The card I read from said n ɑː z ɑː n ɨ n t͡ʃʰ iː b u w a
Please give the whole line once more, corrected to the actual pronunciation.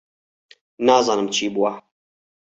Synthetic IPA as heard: n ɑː z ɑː n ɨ m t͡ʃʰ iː b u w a